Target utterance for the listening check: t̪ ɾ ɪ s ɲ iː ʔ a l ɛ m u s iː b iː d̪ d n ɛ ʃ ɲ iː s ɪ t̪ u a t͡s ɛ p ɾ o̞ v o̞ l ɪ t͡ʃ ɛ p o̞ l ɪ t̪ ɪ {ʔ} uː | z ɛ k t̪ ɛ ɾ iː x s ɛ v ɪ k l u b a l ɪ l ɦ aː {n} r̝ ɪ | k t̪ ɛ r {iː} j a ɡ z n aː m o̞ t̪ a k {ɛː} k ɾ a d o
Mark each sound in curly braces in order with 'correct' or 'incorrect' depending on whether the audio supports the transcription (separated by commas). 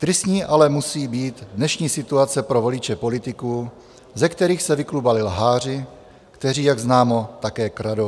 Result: incorrect, incorrect, correct, correct